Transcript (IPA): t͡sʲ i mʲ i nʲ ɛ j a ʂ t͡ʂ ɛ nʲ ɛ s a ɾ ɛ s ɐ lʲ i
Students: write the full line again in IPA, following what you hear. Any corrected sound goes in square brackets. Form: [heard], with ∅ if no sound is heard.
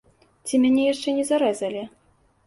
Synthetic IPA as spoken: t͡sʲ i mʲ [a] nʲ ɛ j a ʂ t͡ʂ ɛ nʲ ɛ [z] a ɾ ɛ [z] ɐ lʲ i

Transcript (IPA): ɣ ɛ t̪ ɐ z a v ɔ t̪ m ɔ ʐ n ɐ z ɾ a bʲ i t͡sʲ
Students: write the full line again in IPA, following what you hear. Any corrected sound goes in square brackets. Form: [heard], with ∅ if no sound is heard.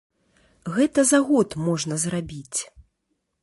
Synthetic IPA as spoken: ɣ ɛ t̪ ɐ z a [ɣ] ɔ t̪ m ɔ ʐ n ɐ z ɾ a bʲ i t͡sʲ

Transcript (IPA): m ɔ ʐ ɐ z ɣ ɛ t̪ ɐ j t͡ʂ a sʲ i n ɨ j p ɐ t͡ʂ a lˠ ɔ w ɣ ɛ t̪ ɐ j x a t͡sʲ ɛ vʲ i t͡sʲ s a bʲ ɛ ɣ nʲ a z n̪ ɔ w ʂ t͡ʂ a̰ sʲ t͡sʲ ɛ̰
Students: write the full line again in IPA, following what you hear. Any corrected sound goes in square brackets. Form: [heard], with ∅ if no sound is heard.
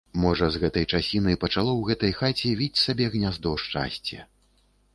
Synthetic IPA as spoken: m ɔ ʐ ɐ z ɣ ɛ t̪ ɐ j t͡ʂ a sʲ i n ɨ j p ɐ t͡ʂ a lˠ ɔ w ɣ ɛ t̪ ɐ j x a t͡sʲ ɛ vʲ i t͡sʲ s a bʲ ɛ ɣ nʲ a z [d̪] ɔ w ʂ t͡ʂ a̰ sʲ t͡sʲ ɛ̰

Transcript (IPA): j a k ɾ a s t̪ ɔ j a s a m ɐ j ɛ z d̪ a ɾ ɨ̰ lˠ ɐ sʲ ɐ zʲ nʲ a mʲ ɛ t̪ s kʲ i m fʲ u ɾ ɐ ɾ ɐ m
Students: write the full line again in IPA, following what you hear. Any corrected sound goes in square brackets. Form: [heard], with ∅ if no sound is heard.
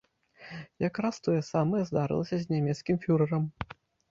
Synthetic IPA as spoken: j a k ɾ a s t̪ ɔ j [ɛ] s a m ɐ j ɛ z d̪ a ɾ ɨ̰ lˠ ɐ sʲ ɐ zʲ nʲ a mʲ ɛ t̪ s kʲ i m fʲ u ɾ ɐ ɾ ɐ m

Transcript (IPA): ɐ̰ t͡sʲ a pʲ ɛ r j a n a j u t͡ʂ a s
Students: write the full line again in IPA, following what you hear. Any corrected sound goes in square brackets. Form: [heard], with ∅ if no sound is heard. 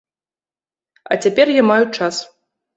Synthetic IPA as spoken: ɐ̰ t͡sʲ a pʲ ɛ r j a [m] a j u t͡ʂ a s

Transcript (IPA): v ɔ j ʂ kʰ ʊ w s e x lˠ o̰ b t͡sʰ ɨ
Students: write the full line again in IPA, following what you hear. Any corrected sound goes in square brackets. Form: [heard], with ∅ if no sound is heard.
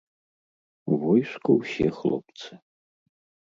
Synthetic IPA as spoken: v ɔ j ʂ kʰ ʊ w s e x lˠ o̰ [p] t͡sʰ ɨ

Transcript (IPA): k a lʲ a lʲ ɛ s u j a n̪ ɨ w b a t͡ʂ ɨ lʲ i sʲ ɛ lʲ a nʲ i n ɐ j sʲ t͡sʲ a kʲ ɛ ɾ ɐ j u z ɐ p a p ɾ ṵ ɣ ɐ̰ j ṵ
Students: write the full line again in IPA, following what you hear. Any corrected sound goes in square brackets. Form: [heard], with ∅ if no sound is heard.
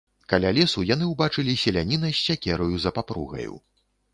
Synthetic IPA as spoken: k a lʲ a lʲ ɛ s u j a n̪ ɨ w b a t͡ʂ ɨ lʲ i sʲ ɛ lʲ a nʲ i n ɐ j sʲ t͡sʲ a kʲ ɛ ɾ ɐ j u z ɐ p a p ɾ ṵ ɣ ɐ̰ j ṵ

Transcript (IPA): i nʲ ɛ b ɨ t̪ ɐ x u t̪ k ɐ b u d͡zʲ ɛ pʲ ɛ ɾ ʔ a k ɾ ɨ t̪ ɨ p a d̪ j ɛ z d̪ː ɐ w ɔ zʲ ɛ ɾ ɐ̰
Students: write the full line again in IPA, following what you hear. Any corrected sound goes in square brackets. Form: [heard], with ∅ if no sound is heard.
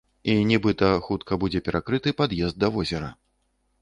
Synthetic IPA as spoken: i nʲ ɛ b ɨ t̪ ɐ x u t̪ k ɐ b u d͡zʲ ɛ pʲ ɛ ɾ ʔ a k ɾ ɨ t̪ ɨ p a d̪ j ɛ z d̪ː ɐ [v] ɔ zʲ ɛ ɾ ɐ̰

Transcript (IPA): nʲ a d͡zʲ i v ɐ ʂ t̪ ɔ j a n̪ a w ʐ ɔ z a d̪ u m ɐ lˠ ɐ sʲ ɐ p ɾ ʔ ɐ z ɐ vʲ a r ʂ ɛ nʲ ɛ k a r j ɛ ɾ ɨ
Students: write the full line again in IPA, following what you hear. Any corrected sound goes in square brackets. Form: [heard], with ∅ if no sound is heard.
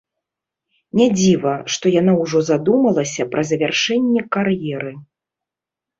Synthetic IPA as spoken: nʲ a d͡zʲ i v ɐ ʂ t̪ ɔ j a n̪ a w ʐ ɔ z a d̪ u m ɐ lˠ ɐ sʲ ɐ p ɾ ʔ ɐ z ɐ vʲ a r ʂ ɛ [nʲː] ɛ k a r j ɛ ɾ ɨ

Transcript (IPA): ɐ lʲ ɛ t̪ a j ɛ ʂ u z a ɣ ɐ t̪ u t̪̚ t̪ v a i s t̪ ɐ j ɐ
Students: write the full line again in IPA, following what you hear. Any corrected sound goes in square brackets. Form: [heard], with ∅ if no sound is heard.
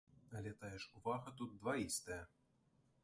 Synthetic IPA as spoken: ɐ lʲ ɛ t̪ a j ɛ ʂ u [v] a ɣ ɐ t̪ u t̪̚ [d̪] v a i s t̪ ɐ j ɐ

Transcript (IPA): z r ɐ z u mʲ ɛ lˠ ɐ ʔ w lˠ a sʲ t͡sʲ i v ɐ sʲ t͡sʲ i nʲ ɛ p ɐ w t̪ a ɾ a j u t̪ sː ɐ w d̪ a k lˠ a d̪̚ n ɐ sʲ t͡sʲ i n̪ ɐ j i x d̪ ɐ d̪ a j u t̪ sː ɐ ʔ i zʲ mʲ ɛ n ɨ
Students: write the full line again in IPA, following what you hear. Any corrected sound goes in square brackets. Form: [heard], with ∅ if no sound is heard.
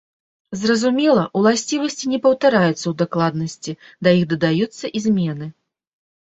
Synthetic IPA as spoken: z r ɐ z u mʲ ɛ lˠ ɐ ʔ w lˠ a sʲ t͡sʲ i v ɐ sʲ t͡sʲ i nʲ ɛ p ɐ w t̪ a ɾ a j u t̪ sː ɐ w d̪ a k lˠ a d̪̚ n ɐ sʲ t͡sʲ i [d̪] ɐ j i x d̪ ɐ d̪ a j u t̪ sː ɐ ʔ i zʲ mʲ ɛ n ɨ

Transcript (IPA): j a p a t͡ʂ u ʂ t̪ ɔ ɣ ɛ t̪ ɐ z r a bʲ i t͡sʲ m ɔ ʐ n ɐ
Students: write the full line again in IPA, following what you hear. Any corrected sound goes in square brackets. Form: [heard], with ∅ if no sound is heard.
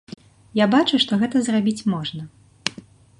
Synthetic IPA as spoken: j a [b] a t͡ʂ u ʂ t̪ ɔ ɣ ɛ t̪ ɐ z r a bʲ i t͡sʲ m ɔ ʐ n ɐ

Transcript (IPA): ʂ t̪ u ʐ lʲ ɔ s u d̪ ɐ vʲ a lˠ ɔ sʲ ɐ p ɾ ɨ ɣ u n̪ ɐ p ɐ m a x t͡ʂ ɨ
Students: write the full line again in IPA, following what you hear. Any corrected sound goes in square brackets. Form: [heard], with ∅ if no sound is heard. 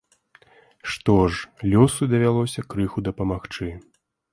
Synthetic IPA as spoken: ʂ t̪ [ɔ] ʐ lʲ ɔ s u d̪ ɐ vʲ a lˠ ɔ sʲ ɐ [k] ɾ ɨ [x] u [d̪] ɐ p ɐ m a x t͡ʂ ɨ

